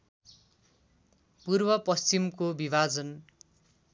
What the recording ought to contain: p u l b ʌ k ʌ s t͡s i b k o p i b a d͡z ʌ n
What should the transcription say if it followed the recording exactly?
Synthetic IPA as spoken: p u r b ʌ p ʌ s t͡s i m k o b i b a d͡z ʌ n

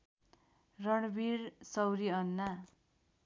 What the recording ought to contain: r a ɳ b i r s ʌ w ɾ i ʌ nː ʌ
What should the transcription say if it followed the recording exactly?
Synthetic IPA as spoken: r ʌ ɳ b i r s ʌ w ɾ i ʌ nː a

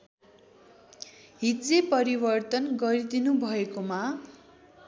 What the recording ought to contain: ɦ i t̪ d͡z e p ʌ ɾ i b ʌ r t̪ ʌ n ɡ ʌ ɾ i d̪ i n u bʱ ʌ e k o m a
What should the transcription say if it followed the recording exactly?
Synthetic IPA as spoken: ɦ i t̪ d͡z e p ʌ ɾ i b ʌ r t̪ ʌ n ɡ ʌ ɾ i d̪ i n u bʱ ʌ e k o m a

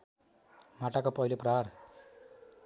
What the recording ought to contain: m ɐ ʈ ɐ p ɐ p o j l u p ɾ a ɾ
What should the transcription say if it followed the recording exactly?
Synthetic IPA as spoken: m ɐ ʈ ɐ k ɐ p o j l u p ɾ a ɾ

